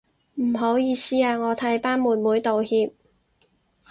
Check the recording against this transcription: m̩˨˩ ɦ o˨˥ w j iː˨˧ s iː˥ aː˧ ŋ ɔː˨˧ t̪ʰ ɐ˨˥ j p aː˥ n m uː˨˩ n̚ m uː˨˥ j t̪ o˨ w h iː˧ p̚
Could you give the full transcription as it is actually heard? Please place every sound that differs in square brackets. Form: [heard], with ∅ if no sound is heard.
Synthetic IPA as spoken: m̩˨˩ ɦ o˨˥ w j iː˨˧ s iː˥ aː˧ ŋ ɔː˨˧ t̪ʰ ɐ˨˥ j p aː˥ n m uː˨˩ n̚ m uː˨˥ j t̪ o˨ w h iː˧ p̚